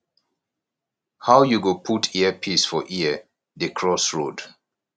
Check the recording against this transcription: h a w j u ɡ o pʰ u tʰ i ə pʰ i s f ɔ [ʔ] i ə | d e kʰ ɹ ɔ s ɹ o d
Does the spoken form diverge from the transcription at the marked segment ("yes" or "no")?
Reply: no